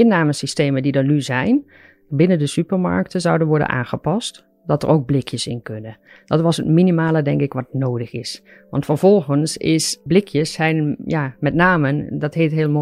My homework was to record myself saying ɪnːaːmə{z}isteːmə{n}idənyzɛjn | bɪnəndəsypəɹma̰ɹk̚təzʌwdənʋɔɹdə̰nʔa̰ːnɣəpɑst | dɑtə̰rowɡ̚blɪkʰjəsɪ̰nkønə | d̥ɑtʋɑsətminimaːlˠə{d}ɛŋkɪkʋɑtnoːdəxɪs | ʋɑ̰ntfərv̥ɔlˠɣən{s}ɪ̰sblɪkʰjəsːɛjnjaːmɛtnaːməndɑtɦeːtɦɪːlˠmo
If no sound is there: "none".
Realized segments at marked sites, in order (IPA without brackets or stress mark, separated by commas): s, d, d, s